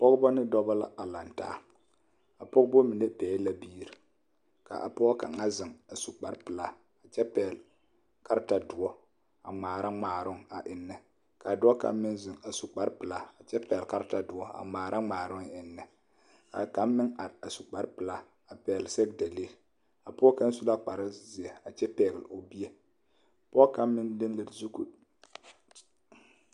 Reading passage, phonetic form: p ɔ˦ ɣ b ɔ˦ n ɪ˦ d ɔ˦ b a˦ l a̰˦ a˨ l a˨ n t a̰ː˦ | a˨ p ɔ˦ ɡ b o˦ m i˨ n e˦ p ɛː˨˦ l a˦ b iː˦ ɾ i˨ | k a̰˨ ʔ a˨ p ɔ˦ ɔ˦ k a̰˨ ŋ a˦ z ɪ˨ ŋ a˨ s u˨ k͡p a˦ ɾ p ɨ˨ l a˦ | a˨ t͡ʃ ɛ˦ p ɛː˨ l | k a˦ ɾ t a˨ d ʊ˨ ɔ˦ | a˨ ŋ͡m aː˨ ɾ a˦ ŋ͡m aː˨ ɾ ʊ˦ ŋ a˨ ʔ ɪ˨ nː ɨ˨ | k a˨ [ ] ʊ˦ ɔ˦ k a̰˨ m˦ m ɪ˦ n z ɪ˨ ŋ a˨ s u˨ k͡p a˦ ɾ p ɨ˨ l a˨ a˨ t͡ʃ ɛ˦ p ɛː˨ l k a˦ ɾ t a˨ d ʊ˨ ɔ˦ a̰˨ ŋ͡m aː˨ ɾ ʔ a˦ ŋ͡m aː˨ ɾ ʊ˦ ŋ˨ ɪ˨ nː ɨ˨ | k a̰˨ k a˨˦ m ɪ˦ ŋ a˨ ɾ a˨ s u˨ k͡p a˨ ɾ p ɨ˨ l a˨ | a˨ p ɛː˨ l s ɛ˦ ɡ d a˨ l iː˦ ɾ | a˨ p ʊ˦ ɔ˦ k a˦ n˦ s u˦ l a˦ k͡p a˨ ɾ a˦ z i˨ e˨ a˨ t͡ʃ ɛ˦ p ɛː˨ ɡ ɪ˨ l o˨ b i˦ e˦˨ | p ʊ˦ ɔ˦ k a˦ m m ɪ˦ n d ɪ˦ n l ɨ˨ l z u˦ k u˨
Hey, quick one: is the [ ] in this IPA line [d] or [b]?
d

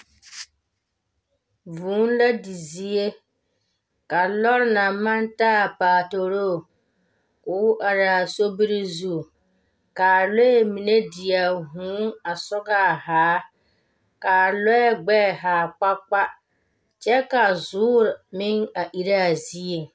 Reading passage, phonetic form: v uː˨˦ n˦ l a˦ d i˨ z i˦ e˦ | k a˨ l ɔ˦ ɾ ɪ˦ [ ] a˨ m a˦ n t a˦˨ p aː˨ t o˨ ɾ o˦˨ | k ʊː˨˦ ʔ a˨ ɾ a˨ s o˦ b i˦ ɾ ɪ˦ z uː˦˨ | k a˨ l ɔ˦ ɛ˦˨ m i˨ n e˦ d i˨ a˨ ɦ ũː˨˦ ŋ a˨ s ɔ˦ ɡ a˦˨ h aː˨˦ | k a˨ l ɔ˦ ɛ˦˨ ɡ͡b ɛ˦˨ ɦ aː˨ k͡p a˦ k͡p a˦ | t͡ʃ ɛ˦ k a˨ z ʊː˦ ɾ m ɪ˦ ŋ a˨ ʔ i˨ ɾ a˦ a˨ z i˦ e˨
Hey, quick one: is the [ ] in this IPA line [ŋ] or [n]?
n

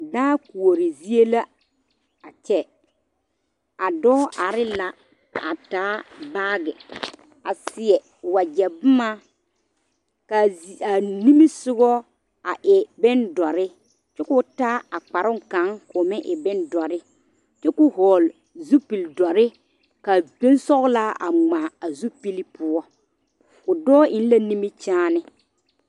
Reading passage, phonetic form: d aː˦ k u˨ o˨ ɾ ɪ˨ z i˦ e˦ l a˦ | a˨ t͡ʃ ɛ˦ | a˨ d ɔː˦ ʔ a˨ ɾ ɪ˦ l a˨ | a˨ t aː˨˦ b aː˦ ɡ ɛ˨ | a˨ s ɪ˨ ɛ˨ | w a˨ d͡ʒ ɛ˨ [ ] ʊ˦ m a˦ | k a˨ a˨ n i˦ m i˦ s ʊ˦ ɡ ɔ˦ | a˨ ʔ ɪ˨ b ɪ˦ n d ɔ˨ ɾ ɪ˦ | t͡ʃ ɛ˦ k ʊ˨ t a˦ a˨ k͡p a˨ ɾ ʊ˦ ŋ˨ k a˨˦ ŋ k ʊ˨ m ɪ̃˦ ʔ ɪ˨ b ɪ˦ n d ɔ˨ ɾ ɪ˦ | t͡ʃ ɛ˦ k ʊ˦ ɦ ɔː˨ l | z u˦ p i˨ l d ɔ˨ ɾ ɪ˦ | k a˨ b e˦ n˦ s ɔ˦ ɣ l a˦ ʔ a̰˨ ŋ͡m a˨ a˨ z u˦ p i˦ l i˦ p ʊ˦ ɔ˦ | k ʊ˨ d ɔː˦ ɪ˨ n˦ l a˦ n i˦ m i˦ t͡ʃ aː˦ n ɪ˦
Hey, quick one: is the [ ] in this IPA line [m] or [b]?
b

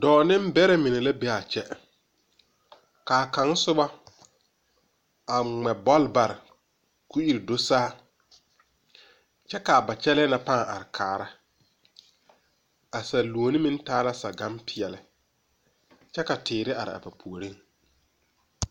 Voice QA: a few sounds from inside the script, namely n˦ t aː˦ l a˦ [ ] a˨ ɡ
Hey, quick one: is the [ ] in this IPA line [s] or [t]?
s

